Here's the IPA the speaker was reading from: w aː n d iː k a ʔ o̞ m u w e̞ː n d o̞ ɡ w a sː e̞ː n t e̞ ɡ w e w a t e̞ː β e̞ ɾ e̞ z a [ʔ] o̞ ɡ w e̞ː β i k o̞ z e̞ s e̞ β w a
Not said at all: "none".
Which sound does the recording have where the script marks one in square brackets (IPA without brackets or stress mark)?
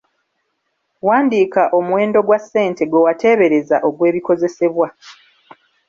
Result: ʔ